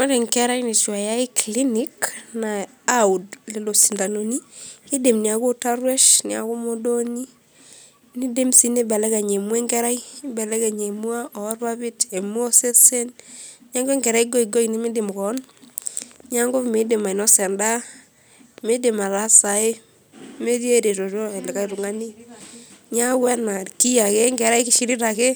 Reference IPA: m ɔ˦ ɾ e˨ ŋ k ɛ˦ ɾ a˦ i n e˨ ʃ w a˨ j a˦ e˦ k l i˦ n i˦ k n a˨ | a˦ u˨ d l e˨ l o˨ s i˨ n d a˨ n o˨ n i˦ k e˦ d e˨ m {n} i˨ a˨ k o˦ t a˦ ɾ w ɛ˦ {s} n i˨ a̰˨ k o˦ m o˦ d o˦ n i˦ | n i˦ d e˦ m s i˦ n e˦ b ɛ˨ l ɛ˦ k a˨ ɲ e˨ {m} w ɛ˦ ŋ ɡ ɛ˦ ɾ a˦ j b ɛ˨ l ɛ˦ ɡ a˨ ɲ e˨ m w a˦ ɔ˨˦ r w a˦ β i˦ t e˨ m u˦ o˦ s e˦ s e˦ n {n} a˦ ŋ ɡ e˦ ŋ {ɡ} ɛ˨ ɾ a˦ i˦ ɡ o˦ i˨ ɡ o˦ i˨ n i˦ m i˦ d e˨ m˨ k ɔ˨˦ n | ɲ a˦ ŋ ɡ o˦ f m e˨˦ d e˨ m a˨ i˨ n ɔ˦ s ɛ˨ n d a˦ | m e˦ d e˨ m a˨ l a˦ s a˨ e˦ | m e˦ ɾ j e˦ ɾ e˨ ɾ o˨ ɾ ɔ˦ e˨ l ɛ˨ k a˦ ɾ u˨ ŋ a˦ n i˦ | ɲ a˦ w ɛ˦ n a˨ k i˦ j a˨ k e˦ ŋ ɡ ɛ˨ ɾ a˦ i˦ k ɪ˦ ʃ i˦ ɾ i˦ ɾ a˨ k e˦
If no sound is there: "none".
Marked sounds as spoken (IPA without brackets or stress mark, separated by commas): n, ʃ, m, ɲ, ɡ